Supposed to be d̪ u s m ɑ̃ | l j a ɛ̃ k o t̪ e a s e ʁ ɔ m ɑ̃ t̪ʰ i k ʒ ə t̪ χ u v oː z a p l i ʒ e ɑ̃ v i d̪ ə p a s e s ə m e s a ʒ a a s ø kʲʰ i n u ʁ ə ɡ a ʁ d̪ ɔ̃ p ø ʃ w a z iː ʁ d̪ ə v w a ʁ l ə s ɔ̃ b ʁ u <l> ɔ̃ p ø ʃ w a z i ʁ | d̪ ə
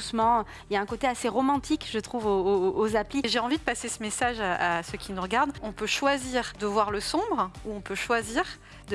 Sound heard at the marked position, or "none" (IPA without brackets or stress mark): none